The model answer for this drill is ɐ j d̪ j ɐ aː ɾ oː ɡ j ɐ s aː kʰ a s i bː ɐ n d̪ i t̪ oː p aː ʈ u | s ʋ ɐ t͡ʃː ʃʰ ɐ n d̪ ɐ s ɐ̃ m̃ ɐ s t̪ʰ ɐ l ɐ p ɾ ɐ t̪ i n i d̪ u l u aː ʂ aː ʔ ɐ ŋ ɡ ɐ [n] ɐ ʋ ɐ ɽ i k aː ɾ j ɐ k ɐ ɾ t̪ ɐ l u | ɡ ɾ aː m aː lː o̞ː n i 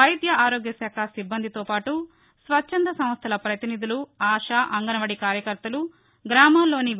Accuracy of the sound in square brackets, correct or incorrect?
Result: correct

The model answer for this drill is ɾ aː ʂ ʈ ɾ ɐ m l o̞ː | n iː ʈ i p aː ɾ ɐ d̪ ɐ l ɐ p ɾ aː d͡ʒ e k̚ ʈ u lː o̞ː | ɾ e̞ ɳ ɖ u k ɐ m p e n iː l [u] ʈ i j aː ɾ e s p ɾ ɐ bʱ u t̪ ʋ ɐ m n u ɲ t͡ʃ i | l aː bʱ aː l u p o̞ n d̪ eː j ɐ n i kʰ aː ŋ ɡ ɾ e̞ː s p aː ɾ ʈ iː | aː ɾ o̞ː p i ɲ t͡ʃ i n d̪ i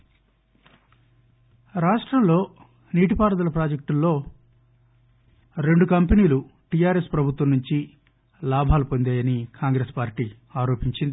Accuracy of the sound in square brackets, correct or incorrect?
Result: correct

